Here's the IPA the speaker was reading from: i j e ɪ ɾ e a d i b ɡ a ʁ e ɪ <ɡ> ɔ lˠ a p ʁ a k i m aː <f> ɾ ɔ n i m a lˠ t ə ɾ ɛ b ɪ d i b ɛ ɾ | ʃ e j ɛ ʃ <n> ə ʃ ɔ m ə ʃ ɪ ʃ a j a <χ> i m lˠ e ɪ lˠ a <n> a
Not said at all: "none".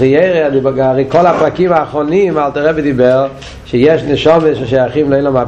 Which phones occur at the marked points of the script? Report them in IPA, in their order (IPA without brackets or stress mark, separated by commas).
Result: k, χ, n, χ, m